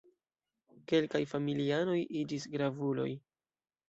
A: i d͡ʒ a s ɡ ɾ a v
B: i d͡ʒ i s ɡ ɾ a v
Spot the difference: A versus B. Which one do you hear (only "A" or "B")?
B